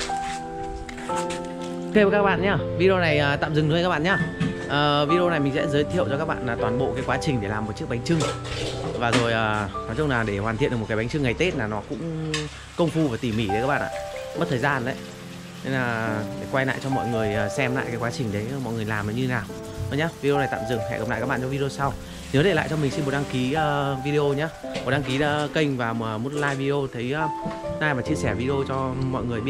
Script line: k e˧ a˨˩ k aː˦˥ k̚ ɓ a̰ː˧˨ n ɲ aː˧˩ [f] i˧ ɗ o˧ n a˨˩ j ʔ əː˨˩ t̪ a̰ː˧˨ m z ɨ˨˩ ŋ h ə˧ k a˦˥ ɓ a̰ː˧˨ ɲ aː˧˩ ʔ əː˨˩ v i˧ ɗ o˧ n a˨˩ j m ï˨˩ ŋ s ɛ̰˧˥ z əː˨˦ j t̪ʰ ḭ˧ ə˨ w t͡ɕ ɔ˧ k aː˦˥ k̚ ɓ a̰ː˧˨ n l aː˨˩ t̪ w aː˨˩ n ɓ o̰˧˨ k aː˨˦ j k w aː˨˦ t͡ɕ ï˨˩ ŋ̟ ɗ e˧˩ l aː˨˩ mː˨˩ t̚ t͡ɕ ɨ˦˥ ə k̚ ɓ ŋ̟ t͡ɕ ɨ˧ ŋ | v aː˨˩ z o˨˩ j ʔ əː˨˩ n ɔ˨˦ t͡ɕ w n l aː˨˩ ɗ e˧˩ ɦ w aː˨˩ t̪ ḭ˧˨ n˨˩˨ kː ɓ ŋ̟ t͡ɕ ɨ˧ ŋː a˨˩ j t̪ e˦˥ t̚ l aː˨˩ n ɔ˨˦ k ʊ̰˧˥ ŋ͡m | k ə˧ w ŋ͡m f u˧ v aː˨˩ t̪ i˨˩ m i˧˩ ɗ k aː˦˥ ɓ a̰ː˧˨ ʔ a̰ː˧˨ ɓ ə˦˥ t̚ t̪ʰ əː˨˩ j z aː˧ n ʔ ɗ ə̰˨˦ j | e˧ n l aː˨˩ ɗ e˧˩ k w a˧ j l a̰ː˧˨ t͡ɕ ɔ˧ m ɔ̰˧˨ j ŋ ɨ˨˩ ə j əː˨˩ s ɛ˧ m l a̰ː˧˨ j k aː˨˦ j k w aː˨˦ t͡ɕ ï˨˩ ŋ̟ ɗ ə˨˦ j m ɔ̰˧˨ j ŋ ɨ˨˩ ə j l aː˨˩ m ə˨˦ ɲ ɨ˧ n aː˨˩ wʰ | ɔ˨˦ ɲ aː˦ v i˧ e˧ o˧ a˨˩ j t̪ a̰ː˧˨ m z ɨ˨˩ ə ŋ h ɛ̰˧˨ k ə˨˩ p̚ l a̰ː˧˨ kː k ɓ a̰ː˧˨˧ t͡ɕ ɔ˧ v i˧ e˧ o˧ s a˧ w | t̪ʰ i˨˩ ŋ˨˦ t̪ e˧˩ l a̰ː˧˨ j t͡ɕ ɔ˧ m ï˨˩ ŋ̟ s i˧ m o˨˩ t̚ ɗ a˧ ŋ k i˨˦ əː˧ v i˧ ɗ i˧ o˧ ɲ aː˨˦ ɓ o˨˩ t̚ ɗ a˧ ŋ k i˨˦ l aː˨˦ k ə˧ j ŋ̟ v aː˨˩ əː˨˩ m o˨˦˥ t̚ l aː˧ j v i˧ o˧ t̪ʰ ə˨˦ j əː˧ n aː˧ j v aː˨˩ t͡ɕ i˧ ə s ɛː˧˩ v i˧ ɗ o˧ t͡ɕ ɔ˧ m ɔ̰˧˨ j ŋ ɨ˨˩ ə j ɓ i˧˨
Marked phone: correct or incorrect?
incorrect: v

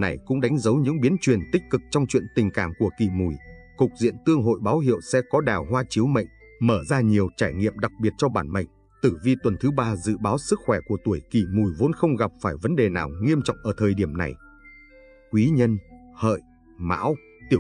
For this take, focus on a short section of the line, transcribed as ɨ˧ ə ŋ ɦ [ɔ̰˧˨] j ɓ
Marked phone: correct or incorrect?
incorrect: o̰˧˨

